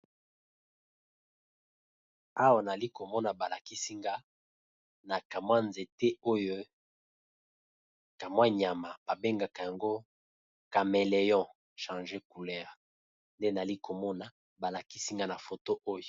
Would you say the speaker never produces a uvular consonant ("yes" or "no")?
no